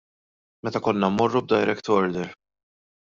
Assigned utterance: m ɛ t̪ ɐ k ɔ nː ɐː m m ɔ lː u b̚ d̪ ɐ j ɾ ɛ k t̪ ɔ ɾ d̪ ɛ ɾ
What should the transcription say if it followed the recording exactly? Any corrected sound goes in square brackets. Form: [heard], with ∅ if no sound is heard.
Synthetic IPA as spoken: m ɛ t̪ ɐ k ɔ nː [ɐ] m m ɔ [rː] u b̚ d̪ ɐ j ɾ ɛ k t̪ ɔ ɾ d̪ ɛ ɾ